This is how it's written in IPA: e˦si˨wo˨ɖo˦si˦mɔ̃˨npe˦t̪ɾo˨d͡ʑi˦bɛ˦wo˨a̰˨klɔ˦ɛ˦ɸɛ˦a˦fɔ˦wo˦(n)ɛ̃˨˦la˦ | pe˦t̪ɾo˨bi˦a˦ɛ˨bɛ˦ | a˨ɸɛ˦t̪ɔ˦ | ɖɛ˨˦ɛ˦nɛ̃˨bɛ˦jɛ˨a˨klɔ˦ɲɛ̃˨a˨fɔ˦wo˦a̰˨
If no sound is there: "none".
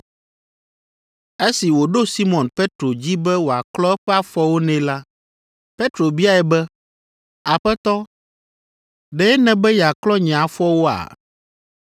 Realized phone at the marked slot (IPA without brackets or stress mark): n